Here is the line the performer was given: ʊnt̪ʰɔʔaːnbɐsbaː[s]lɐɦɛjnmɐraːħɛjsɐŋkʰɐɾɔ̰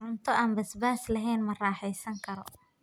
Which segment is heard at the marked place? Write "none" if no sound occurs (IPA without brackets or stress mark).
s